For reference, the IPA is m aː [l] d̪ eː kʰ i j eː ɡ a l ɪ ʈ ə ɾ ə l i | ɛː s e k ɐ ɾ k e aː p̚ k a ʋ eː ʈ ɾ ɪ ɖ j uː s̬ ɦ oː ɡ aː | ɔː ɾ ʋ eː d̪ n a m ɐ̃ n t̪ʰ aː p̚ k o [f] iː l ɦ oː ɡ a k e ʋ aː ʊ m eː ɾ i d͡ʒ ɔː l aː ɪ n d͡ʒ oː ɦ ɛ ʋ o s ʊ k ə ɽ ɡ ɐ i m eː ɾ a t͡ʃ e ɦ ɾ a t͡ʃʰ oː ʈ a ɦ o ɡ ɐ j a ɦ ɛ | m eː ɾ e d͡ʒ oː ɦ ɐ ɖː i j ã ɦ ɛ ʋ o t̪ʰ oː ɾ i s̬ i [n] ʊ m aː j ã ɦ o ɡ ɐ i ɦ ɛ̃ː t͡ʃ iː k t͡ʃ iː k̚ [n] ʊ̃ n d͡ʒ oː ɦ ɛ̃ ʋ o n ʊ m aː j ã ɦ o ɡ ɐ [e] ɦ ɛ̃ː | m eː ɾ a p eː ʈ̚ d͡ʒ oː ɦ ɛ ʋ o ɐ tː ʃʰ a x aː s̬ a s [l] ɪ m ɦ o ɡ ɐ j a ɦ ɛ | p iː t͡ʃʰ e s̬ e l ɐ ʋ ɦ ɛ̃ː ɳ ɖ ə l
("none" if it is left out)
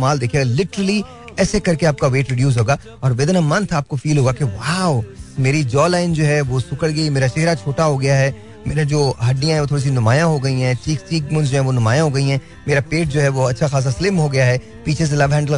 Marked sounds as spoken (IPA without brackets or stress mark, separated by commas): l, f, n, m, i, l